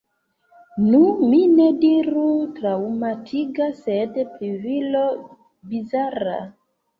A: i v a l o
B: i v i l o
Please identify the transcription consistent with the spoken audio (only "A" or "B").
B